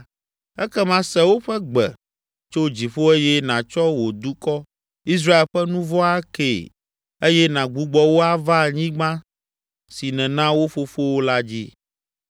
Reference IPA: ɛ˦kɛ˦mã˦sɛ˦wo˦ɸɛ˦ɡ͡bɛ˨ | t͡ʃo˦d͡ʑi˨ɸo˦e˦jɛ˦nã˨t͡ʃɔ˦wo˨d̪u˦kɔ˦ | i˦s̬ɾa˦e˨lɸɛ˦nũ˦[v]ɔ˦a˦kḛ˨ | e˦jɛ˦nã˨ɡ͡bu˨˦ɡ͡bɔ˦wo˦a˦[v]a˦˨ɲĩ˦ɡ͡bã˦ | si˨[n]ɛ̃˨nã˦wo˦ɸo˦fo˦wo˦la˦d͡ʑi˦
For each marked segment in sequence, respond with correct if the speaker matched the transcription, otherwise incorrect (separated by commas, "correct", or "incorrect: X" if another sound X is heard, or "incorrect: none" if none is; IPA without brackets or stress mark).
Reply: correct, correct, correct